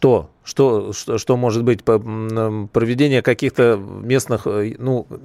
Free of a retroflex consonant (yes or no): no